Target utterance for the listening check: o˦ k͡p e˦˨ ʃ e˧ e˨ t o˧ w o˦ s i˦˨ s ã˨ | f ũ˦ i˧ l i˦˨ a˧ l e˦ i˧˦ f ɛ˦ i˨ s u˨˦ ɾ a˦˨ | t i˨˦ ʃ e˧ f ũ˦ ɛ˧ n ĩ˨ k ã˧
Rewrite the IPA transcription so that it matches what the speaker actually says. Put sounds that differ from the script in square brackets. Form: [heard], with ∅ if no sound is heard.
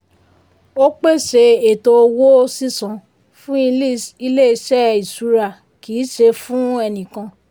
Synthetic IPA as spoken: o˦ k͡p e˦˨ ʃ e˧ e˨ t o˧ w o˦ s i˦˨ s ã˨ | f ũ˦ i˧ l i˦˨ [i˧] l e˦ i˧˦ [ʃ] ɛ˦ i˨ s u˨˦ ɾ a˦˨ | [k] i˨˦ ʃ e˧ f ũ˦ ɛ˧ n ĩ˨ k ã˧